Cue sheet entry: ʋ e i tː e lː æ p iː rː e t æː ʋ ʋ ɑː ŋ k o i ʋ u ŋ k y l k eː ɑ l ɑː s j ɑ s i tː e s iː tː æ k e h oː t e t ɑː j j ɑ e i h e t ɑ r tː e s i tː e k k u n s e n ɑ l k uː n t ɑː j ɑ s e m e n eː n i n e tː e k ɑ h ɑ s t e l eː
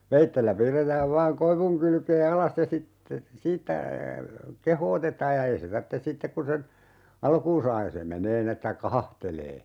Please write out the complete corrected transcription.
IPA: ʋ e i tː e lː æ p iː rː e t æː ʋ ʋ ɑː ŋ k o i ʋ u ŋ k y l k eː ɑ l ɑ s j ɑ s i tː e s iː tː æ k e h oː t e t ɑː j j ɑ e i s e t ɑ r tː e s i tː e k k u n s e n ɑ l k uː n s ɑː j ɑ s e m e n eː n i n e tː æ k ɑ h ɑ h t e l eː